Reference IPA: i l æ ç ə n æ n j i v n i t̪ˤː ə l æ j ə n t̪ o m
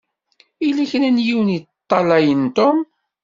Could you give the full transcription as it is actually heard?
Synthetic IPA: i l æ ç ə n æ n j i w n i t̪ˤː ɑ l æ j ə n t̪ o m